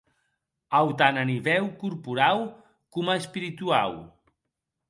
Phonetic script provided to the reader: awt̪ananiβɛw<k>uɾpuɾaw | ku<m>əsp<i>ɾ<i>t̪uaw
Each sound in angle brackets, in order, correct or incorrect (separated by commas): correct, correct, correct, correct